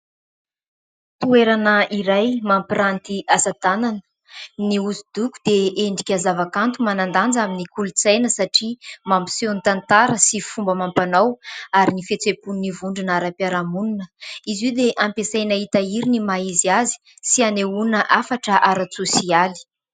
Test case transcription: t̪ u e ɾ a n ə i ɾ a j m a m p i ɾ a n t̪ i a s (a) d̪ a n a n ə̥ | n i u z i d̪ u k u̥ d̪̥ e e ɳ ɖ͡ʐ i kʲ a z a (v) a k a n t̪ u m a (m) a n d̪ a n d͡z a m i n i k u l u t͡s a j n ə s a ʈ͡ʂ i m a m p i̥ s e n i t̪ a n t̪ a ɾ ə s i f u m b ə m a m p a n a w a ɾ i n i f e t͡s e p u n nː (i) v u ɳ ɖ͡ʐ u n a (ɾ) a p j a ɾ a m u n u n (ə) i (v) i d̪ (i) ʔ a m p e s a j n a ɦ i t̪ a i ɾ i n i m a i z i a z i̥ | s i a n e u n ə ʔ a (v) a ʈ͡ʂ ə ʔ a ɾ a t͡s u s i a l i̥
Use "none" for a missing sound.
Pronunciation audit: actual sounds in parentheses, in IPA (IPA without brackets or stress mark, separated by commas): a, v, n, i, ɾ, ə, z, e, f